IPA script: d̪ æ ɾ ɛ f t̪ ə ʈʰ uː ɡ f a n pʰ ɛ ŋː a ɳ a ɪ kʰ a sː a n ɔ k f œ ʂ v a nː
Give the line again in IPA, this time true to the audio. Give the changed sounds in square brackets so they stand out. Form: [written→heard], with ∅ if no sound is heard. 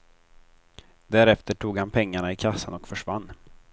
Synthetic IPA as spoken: d̪ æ ɾ ɛ f t̪ ə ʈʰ uː ɡ [f→h] a n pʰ ɛ ŋː a ɳ a ɪ kʰ a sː a n ɔ k f œ ʂ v a nː